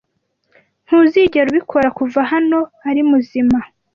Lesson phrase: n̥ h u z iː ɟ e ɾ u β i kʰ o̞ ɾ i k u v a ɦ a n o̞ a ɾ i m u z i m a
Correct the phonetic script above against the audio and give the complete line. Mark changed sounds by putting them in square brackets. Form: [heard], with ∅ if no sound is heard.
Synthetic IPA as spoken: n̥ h u z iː ɟ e ɾ u β i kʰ o̞ ɾ [a] k u v a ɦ a n o̞ a ɾ i m u z i m a